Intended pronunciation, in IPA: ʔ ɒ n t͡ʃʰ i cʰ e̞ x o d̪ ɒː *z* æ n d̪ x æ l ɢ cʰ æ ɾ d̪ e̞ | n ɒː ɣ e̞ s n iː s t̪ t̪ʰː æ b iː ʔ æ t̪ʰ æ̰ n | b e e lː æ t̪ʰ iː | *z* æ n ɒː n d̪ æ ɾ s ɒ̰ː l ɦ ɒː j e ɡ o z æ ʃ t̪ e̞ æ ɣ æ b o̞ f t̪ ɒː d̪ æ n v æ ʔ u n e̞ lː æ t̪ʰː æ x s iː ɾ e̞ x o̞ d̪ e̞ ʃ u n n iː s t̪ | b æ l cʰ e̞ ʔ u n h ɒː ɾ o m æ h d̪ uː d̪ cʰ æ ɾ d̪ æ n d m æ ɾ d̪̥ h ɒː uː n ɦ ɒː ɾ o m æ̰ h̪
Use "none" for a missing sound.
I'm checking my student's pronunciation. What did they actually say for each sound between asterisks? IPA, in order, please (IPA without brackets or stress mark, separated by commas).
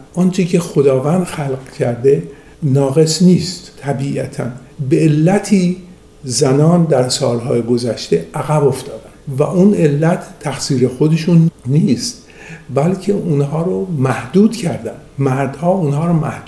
v, z